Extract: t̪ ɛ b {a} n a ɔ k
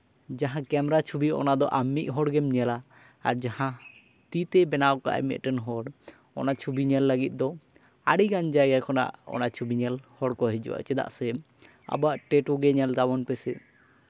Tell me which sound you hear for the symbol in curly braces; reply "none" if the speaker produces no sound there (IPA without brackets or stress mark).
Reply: ɛ